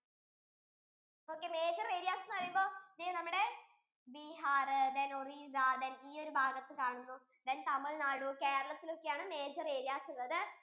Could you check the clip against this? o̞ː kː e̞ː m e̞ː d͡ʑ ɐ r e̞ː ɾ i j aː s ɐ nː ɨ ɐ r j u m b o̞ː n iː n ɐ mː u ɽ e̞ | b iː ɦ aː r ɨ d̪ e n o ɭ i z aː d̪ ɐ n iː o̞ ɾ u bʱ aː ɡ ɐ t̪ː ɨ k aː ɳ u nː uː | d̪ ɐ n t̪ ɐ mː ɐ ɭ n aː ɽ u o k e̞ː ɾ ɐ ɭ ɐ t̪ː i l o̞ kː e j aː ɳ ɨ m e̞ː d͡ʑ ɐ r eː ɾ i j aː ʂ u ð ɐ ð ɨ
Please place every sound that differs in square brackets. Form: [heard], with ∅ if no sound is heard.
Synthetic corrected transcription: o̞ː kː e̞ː m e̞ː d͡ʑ ɐ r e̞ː ɾ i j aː s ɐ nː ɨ ɐ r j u m b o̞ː n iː n ɐ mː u ɽ e̞ | b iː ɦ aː r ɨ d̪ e n o [r] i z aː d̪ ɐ n iː o̞ ɾ u bʱ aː ɡ ɐ t̪ː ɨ k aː ɳ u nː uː | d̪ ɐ n t̪ ɐ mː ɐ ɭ n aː ɽ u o k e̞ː ɾ ɐ ɭ ɐ t̪ː i l o̞ kː e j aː ɳ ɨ m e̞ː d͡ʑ ɐ r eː ɾ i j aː [s] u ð ɐ ð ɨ

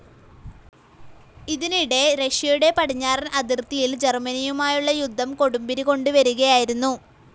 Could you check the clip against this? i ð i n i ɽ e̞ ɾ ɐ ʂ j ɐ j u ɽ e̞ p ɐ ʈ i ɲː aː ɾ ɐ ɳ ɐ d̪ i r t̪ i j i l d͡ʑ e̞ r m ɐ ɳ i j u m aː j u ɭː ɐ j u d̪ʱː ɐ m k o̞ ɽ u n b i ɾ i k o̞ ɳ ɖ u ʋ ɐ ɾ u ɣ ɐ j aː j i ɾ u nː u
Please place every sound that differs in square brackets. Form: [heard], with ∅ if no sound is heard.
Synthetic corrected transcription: i ð i n i ɽ e̞ ɾ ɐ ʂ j ɐ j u ɽ e̞ p ɐ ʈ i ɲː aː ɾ ɐ [n] ɐ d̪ i r t̪ i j i l d͡ʑ e̞ r m ɐ [n] i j u m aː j u ɭː ɐ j u d̪ʱː ɐ m k o̞ ɽ u [m] b i ɾ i k o̞ ɳ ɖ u ʋ ɐ ɾ u ɣ ɐ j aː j i ɾ u nː u

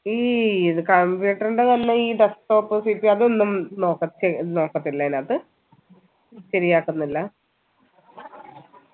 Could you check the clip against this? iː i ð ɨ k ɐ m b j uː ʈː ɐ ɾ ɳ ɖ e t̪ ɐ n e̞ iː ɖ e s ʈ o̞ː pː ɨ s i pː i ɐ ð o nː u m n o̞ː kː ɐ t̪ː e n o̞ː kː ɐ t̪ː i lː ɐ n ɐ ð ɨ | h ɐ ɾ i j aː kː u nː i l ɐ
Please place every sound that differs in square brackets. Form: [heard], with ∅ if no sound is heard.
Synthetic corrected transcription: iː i ð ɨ k ɐ m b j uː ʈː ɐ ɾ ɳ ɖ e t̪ ɐ [nː] e̞ iː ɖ e s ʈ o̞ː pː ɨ s i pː i ɐ ð o nː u m n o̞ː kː ɐ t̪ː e n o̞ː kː ɐ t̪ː i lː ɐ n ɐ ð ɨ | [ɕ] ɐ ɾ i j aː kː u nː i [lː] ɐ

